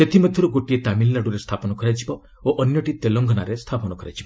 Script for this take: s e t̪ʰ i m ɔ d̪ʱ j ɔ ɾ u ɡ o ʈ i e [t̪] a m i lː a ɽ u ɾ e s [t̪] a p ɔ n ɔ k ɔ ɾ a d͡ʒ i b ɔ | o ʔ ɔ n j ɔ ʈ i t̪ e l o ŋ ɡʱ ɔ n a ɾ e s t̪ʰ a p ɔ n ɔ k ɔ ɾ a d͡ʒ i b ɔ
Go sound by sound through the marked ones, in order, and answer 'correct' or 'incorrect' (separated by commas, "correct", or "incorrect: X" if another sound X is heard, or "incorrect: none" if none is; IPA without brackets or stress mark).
correct, incorrect: t̪ʰ